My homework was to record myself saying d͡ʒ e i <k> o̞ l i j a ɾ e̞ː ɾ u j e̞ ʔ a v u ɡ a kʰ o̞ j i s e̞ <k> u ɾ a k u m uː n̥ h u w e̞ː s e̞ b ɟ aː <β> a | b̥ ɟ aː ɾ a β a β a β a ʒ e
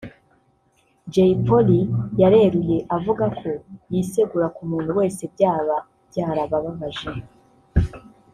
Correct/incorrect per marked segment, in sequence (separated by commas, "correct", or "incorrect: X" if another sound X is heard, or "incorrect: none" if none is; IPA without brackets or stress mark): incorrect: p, incorrect: ɡ, correct